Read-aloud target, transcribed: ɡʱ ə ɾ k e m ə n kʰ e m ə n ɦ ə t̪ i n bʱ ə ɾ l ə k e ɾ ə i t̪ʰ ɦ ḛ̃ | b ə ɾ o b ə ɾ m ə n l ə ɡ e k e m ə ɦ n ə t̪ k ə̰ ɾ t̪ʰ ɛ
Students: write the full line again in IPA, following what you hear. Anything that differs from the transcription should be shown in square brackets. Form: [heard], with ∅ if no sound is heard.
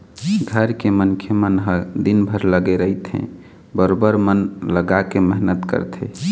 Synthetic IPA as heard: ɡʱ ə ɾ k e m ə n kʰ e m ə n ɦ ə [d̪] i n bʱ ə ɾ l ə [ɡ] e ɾ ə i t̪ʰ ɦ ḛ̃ | b ə ɾ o b ə ɾ m ə n l ə ɡ [a] k e m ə ɦ n ə t̪ k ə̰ ɾ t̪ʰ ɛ